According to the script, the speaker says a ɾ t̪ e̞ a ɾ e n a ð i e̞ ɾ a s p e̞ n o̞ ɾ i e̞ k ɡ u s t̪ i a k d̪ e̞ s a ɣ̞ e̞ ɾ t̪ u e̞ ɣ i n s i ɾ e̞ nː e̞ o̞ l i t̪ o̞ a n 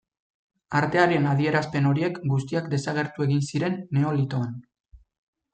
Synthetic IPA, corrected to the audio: a ɾ t̪ e̞ a ɾ e n a ð i e̞ ɾ a s p e̞ n o̞ ɾ i e̞ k ɡ u s t̪ i a k d̪ e̞ s a ɣ̞ e̞ ɾ t̪ u e̞ ɣ i n s i ɾ e̞ nː e̞ o̞ l i t̪ o̞ a n